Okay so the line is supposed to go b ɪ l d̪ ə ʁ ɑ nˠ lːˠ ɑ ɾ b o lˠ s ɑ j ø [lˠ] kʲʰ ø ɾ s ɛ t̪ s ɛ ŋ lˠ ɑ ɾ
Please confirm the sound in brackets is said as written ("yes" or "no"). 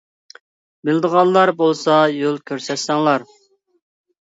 yes